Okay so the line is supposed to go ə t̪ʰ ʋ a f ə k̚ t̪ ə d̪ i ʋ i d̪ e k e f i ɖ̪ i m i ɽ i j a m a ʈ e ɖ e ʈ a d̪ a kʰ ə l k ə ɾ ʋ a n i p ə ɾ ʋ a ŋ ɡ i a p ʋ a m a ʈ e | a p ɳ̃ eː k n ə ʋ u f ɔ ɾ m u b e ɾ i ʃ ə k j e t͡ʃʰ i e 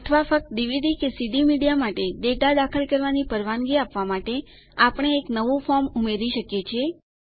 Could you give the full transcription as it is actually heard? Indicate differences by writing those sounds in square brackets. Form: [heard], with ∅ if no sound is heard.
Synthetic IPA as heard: ə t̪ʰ ʋ a f ə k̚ t̪ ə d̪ i ʋ i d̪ [i] k e [s] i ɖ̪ i m i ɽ i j a m a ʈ e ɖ e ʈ a d̪ a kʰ ə l k ə ɾ ʋ a n i p ə ɾ ʋ a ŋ ɡ i a p ʋ a m a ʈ e | a p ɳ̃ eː k n ə ʋ u f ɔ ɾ m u [m] e ɾ i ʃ ə k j e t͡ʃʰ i e